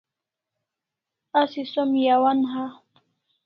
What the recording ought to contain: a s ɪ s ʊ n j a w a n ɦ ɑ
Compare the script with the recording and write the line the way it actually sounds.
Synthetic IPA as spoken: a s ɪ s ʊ m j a w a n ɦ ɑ